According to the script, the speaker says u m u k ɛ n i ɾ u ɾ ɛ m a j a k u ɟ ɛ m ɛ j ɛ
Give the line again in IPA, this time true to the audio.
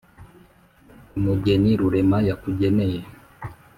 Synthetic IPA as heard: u m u ɡ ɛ n i ɾ u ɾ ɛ m a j a k u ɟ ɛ n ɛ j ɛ